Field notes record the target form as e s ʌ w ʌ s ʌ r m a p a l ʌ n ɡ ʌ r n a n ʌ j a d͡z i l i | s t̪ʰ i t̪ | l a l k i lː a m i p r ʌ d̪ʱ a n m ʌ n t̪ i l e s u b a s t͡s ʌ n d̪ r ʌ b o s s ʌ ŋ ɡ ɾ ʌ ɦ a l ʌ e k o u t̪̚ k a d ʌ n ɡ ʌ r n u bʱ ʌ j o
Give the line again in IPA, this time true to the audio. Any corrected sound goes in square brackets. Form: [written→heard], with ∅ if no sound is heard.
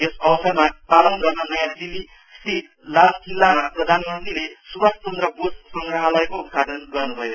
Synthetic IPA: e s ʌ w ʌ s ʌ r m a p a l ʌ n ɡ ʌ r n [a→ʌ] n ʌ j a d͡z i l i | s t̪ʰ i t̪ | l a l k i lː a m [i→a] p r ʌ d̪ʱ a n m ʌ n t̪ i l e s u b a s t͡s ʌ n d̪ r ʌ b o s s ʌ ŋ ɡ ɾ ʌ ɦ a l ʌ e k o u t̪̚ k a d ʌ n ɡ ʌ r n u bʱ ʌ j o